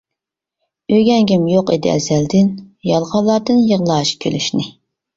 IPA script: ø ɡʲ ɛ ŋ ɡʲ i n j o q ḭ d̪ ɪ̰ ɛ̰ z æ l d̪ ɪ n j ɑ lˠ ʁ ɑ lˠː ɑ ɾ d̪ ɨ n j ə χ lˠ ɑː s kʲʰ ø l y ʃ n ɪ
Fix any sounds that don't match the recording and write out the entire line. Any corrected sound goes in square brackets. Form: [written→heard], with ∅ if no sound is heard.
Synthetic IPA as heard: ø ɡʲ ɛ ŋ ɡʲ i [n→m] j o q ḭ d̪ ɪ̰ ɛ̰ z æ l d̪ ɪ n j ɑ lˠ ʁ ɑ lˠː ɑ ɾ d̪ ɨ n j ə [χ→ʁ] lˠ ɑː [s→ʃ] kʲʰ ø l y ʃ n ɪ